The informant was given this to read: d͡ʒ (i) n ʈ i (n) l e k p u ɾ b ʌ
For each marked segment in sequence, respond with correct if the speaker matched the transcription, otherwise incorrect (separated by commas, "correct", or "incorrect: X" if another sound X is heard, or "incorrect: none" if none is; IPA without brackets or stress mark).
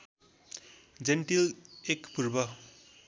incorrect: e, incorrect: none